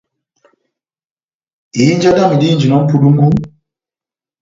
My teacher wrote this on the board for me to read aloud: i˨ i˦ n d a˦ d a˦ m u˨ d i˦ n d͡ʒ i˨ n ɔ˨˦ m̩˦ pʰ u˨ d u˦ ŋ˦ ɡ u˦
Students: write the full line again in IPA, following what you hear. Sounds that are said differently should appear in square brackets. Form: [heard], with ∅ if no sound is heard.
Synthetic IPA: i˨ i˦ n [d͡ʒ] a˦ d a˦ m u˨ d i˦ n d͡ʒ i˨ n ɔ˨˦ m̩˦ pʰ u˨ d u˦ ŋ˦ ɡ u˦

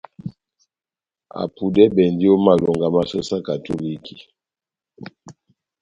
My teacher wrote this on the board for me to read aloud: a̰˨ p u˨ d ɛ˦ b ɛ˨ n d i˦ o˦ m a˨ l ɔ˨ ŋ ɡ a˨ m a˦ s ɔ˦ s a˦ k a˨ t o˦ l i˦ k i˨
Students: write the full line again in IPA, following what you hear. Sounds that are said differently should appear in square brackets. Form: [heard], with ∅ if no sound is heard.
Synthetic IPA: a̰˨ p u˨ d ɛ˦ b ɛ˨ n d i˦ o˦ m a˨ l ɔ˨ ŋ ɡ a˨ m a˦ s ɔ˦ s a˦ k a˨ t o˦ l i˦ k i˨

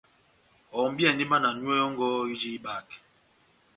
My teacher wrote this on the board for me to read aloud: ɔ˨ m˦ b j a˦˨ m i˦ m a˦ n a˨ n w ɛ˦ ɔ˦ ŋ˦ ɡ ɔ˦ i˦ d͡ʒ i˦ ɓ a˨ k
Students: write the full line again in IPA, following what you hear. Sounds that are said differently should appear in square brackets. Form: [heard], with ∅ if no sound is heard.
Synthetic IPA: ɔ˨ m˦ b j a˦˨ [n] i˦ m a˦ n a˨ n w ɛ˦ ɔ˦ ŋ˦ ɡ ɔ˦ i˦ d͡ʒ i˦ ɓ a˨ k

